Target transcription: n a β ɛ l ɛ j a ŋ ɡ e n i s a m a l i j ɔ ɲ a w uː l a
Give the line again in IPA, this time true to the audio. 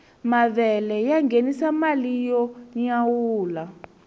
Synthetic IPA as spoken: m a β ɛ l ɛ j a ŋ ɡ e n i s a m a l i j ɔ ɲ a w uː l a